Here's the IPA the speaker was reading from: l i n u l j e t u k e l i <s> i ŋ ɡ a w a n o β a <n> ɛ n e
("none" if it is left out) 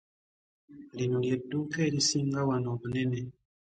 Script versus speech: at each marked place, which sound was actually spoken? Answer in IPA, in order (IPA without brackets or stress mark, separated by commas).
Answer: s, n